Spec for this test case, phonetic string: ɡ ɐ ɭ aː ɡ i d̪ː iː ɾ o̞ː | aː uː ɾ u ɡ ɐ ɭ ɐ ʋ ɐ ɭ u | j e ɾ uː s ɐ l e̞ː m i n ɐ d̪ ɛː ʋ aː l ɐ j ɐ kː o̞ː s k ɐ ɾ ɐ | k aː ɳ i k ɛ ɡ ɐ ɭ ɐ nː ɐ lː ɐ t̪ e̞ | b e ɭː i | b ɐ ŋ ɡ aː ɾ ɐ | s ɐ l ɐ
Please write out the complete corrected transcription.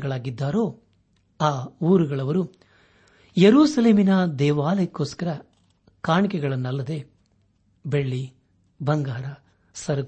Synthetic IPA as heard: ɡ ɐ ɭ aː ɡ i d̪ː aː ɾ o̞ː | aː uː ɾ u ɡ ɐ ɭ ɐ ʋ ɐ ɾ u | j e ɾ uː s ɐ l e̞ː m i n ɐ d̪ ɛː ʋ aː l ɐ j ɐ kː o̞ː s k ɐ ɾ ɐ | k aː ɳ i k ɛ ɡ ɐ ɭ ɐ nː ɐ lː ɐ d̪ e̞ | b e ɭː i | b ɐ ŋ ɡ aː ɾ ɐ | s ɐ ɾ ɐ